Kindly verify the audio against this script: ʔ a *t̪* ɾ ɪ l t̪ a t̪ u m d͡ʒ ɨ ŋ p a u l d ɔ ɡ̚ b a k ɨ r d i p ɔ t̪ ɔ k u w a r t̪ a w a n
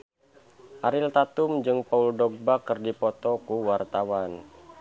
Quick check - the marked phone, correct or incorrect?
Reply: incorrect